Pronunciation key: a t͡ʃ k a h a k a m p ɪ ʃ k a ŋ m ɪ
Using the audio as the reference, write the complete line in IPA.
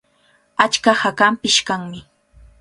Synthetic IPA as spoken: a t͡ʃ k a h a k a m p ɪ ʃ k a ŋ m ɪ